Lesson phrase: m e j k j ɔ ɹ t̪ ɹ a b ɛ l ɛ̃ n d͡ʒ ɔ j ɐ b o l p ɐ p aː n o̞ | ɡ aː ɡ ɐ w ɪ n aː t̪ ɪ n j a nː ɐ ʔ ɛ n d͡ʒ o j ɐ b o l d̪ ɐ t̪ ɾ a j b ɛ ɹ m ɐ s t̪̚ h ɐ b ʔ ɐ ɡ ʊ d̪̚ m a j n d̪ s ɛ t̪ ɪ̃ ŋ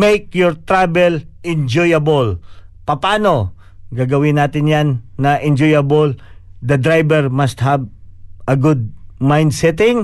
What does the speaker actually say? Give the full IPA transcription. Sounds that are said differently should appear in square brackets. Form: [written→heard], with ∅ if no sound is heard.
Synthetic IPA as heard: m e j k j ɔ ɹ t̪ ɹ a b ɛ l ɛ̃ n d͡ʒ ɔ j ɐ b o l p ɐ p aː n o̞ | ɡ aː ɡ ɐ w ɪ n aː t̪ ɪ n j a nː ɐ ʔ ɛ n d͡ʒ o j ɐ b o l d̪ ɐ [t̪→d̪] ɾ a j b ɛ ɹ m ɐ s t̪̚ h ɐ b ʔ ɐ ɡ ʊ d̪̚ m a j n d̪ s ɛ t̪ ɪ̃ ŋ